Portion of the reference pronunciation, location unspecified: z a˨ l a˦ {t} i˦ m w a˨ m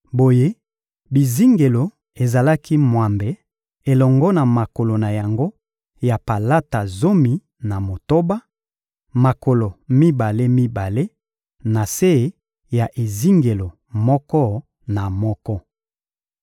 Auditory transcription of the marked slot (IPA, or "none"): k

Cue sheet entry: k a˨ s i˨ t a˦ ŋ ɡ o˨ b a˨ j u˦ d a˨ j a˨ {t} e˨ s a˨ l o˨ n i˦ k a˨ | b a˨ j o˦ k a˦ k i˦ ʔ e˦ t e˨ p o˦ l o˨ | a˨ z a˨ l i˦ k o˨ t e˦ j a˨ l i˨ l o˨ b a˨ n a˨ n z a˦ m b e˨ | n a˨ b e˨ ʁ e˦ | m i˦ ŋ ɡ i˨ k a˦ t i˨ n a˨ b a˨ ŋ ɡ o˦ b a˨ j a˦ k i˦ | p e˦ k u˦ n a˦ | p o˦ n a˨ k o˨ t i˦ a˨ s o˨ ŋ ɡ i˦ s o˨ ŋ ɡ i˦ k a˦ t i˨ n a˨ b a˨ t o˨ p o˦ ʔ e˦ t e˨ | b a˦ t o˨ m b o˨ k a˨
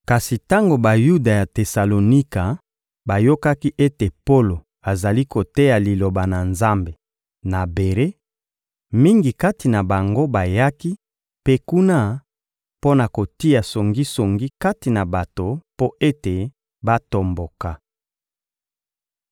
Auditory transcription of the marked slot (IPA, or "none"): t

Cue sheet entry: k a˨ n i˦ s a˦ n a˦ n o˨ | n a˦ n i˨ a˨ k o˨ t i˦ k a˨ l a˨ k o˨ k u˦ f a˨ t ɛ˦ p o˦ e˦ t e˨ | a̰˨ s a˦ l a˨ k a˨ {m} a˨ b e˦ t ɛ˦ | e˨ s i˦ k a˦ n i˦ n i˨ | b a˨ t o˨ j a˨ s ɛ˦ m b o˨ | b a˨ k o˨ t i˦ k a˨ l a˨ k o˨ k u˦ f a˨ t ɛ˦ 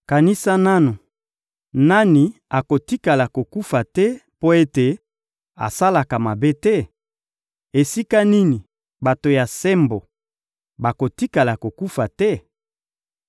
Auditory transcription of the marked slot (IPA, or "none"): m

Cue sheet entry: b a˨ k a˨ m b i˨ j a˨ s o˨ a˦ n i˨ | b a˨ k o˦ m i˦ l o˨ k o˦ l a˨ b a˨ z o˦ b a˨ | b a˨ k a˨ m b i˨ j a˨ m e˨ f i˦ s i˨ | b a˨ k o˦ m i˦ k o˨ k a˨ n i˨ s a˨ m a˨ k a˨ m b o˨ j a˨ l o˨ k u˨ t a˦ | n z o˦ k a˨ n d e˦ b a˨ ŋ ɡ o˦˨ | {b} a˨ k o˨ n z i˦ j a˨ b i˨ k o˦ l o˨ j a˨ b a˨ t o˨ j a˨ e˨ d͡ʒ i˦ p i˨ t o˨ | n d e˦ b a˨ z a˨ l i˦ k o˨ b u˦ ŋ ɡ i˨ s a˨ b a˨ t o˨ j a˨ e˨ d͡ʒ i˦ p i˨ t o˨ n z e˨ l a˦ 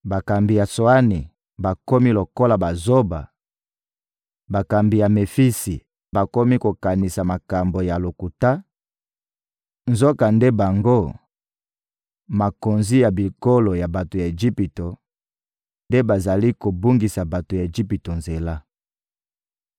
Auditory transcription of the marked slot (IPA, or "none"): m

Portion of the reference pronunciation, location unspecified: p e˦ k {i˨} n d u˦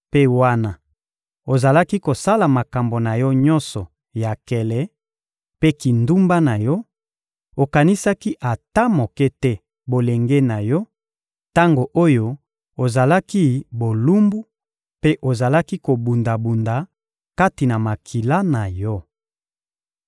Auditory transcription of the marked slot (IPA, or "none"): i˨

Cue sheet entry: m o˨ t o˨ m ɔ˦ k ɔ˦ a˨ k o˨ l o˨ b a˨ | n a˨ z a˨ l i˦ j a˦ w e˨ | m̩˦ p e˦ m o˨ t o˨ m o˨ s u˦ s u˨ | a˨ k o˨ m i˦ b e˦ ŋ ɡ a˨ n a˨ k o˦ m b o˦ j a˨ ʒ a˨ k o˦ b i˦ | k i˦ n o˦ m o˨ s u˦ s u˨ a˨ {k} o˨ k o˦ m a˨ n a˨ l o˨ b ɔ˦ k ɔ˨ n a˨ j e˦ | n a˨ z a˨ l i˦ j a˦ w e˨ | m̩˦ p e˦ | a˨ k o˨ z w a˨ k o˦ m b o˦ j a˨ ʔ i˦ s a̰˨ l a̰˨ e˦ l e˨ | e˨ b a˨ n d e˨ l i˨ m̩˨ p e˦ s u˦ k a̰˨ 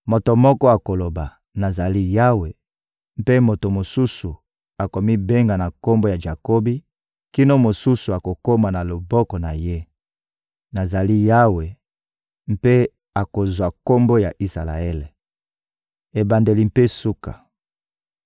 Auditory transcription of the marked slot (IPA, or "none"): k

